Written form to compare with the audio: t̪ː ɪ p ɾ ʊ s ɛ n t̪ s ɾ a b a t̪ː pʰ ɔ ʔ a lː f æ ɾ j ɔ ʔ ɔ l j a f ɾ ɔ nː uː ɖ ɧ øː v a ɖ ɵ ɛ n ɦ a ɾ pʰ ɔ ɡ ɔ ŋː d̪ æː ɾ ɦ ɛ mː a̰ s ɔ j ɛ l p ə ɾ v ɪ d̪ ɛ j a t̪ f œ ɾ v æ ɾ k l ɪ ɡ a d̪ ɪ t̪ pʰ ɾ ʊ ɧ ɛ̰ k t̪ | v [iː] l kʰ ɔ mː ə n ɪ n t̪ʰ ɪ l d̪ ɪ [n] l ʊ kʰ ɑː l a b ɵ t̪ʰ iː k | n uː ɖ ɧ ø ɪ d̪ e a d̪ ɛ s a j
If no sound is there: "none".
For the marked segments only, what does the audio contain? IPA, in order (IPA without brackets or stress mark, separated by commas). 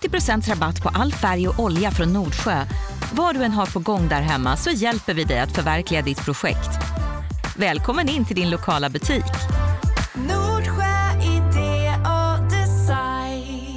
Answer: ɛː, n